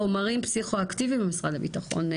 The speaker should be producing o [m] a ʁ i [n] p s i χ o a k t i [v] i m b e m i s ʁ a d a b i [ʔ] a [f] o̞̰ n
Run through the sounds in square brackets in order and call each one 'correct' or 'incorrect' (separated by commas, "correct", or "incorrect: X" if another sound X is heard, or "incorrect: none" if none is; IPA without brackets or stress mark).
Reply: correct, incorrect: m, correct, incorrect: t, incorrect: χ